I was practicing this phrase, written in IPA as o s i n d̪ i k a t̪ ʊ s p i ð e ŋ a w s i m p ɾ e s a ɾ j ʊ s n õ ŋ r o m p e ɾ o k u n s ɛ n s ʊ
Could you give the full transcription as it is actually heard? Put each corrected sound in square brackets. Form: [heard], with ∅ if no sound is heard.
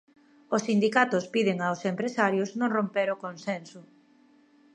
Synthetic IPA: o s i n d̪ i k a t̪ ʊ s p i ð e ŋ a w s [e] m p ɾ e s a ɾ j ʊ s n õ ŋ r o m p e ɾ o k [o] n s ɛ n s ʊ